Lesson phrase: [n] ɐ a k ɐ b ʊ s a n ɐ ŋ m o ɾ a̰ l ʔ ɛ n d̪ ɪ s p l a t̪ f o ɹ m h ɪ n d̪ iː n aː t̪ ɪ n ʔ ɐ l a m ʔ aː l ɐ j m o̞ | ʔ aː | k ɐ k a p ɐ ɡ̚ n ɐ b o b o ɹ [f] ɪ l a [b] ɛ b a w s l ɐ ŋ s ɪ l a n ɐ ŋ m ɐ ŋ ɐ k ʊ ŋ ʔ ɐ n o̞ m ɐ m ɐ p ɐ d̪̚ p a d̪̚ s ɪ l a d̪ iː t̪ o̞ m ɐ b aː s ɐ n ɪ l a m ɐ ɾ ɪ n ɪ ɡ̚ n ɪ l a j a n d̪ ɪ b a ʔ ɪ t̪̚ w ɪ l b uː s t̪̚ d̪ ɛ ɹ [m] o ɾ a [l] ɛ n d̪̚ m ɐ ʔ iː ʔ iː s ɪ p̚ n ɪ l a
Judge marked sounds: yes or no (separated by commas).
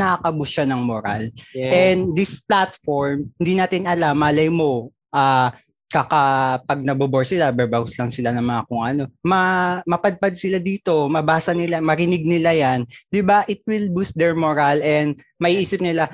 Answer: yes, no, yes, yes, yes